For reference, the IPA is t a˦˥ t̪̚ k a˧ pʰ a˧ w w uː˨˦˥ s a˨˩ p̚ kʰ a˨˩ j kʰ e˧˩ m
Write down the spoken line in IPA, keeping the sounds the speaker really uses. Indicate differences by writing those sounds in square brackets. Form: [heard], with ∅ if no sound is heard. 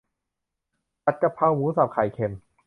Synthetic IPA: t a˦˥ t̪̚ k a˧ pʰ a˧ w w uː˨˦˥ s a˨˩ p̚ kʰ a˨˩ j kʰ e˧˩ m